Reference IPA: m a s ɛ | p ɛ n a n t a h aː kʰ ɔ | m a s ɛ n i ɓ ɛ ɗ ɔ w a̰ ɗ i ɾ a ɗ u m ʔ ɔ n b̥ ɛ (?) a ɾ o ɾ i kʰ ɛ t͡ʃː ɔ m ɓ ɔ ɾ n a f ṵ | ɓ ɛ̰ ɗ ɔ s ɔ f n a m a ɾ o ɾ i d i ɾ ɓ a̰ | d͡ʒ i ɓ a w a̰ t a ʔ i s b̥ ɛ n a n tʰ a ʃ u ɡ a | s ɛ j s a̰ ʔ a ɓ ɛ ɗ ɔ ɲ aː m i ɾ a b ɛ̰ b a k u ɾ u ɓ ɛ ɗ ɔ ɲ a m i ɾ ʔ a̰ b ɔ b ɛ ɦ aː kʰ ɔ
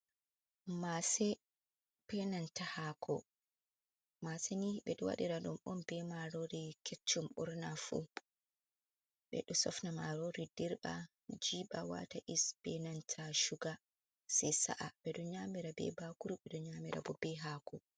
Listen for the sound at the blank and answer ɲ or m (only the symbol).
m